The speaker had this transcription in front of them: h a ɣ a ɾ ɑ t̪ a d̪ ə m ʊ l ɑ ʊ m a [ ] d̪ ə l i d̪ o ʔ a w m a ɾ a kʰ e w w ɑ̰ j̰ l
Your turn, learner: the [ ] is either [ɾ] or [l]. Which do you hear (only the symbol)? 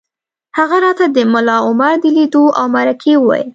ɾ